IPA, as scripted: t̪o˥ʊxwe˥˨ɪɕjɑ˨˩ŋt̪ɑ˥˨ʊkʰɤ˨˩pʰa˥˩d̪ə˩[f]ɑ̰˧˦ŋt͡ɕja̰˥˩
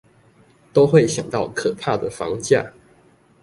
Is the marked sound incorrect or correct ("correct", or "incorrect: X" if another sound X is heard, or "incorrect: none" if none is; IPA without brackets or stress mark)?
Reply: correct